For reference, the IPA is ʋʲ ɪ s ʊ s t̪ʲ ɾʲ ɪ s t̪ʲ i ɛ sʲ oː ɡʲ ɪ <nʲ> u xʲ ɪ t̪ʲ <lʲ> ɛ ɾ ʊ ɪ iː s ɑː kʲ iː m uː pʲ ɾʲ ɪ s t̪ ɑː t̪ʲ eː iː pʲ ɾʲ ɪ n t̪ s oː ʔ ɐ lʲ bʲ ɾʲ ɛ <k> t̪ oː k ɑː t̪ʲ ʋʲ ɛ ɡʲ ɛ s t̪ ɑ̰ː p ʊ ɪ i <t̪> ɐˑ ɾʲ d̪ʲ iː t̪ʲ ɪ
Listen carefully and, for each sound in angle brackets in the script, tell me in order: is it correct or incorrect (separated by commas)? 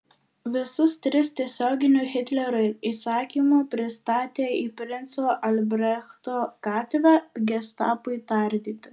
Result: correct, correct, incorrect, correct